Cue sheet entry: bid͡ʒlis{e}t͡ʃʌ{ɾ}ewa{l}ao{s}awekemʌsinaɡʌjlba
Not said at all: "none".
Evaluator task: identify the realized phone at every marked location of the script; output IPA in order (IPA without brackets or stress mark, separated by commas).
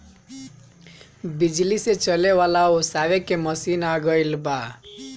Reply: e, l, l, s